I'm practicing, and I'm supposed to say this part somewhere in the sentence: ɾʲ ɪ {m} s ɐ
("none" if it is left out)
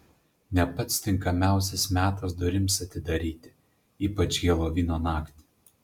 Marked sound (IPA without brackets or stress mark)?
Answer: m